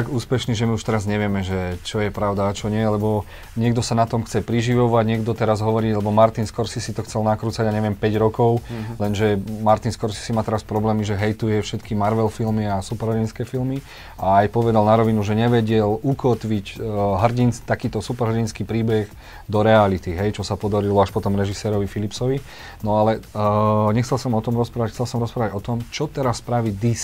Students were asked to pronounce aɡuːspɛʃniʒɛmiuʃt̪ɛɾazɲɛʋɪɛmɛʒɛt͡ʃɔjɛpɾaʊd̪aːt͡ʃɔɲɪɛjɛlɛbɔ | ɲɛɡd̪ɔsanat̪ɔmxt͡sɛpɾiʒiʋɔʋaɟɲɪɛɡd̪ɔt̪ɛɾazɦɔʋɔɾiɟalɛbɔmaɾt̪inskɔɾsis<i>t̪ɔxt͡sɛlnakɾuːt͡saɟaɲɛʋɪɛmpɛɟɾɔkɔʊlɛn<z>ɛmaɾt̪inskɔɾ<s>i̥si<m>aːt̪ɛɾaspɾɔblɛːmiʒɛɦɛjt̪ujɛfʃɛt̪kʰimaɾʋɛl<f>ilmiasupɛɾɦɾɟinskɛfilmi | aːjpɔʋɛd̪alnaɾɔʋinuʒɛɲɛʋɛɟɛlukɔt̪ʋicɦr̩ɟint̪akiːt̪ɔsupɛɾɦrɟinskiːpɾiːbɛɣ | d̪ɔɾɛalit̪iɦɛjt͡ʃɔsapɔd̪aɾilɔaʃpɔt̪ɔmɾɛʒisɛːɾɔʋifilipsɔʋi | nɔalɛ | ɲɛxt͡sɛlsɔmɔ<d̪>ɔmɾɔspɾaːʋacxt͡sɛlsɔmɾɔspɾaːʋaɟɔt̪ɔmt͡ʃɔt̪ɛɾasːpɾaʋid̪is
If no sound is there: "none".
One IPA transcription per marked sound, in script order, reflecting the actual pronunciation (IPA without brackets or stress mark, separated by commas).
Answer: i, ʒ, s, m, f, t̪